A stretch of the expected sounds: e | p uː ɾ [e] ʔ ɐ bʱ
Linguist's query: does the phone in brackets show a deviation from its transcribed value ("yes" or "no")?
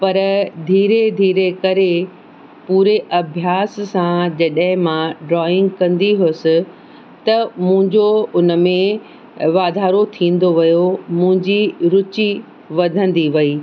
no